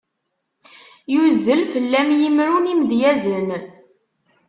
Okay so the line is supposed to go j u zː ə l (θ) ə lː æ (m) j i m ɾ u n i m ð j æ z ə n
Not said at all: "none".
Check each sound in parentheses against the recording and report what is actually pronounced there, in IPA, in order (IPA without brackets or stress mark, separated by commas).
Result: f, m